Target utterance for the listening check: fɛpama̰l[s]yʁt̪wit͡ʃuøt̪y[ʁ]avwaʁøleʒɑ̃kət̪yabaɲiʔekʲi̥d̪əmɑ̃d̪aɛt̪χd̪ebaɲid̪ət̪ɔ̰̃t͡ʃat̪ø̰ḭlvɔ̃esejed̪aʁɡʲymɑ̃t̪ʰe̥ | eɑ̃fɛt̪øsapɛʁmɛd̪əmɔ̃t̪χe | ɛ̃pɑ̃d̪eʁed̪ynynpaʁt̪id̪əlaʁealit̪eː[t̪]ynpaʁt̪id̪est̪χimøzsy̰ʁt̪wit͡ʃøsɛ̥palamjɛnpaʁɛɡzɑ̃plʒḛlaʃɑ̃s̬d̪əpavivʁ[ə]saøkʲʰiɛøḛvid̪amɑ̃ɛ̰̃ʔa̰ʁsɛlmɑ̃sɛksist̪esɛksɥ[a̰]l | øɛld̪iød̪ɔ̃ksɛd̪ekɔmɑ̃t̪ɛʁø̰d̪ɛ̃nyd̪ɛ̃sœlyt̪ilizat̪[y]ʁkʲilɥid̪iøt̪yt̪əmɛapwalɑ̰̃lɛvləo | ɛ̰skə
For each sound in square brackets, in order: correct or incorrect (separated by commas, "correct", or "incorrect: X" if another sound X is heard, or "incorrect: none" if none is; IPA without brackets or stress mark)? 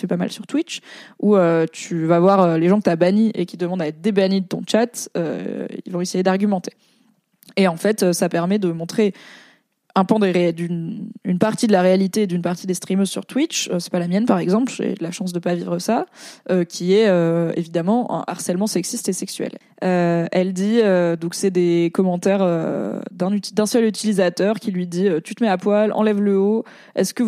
correct, incorrect: v, incorrect: d̪, correct, incorrect: ɛ̰, incorrect: œ